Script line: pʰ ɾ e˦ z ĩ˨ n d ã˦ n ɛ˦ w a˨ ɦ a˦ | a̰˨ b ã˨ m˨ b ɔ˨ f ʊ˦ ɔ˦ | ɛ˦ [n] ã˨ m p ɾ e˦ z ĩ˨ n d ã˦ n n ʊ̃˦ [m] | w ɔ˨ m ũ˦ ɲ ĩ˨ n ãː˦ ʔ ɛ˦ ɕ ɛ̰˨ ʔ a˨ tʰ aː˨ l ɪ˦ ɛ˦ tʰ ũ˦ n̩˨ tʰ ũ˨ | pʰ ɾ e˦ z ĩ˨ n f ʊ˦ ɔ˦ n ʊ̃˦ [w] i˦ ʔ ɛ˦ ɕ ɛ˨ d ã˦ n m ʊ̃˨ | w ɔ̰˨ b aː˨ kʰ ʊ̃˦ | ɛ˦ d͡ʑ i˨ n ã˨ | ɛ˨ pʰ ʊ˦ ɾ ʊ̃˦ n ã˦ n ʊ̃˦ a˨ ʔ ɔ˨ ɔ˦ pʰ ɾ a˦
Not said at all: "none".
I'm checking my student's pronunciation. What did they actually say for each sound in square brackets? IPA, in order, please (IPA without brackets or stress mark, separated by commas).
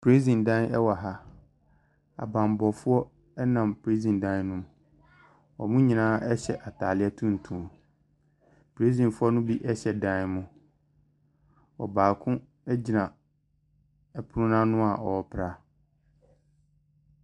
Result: n, m, b